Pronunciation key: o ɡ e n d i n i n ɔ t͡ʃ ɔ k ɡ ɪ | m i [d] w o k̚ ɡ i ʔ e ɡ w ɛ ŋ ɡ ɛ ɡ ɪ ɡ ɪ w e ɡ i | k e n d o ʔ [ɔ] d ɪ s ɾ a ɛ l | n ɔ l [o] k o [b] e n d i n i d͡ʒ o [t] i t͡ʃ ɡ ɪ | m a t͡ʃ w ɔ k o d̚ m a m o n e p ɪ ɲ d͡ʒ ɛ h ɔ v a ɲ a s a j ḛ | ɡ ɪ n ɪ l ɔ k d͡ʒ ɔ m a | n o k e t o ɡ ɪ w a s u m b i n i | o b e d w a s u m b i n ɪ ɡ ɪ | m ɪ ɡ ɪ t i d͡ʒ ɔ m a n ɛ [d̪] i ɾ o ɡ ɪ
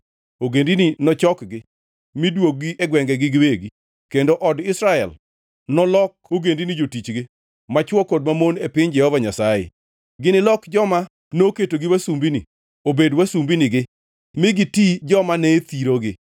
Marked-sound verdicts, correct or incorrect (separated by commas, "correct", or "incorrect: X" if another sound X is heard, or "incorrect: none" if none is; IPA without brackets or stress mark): correct, correct, incorrect: ɔ, incorrect: ɡ, correct, incorrect: t̪